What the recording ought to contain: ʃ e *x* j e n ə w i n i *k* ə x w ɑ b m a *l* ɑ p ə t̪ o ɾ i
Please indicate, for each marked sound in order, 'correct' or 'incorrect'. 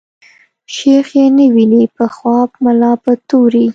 correct, incorrect, correct

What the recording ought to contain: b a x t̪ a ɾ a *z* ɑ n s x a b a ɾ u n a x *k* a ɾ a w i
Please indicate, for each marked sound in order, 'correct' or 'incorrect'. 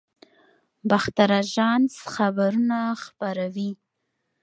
incorrect, incorrect

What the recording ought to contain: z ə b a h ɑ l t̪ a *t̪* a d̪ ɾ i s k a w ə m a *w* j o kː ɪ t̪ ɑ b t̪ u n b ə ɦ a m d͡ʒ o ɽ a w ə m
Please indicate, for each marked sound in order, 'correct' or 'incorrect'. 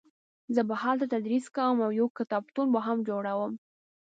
correct, correct

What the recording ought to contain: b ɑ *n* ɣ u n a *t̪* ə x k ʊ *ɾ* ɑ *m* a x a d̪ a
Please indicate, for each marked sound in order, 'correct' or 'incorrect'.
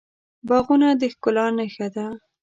incorrect, incorrect, incorrect, incorrect

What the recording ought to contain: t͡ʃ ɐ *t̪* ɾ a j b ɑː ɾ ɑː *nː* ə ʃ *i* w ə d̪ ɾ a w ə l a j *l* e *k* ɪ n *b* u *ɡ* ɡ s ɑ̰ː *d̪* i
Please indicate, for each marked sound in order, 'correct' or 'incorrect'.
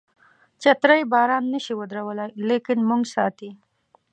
correct, correct, correct, correct, correct, incorrect, incorrect, incorrect

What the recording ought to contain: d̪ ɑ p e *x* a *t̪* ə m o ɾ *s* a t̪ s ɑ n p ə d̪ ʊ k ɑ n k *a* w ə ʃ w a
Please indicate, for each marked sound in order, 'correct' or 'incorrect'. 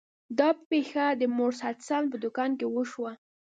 correct, incorrect, correct, incorrect

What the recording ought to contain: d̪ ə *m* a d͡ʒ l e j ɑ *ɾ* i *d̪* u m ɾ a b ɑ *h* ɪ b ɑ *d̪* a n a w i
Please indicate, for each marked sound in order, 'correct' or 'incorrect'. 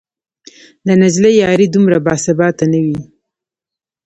incorrect, correct, correct, incorrect, incorrect

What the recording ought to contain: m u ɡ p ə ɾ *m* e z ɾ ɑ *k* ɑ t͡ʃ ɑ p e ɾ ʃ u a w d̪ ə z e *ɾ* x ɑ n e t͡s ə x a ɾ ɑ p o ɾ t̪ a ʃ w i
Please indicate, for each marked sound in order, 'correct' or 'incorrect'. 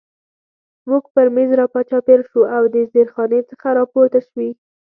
correct, incorrect, correct

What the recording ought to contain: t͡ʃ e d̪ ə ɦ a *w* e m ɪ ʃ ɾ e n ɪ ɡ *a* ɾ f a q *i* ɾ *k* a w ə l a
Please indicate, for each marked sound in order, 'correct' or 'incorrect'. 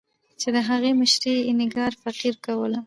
incorrect, incorrect, correct, correct

